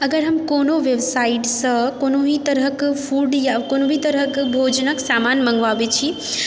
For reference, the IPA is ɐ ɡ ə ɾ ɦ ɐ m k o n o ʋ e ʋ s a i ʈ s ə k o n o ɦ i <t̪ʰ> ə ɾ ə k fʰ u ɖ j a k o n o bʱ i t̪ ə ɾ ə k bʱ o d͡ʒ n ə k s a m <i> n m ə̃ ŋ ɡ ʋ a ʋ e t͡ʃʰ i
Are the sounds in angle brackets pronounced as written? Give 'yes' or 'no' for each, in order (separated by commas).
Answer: no, no